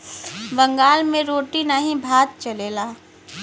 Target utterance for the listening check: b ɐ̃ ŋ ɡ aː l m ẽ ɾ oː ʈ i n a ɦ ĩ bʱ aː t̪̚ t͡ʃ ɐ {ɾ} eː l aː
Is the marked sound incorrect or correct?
incorrect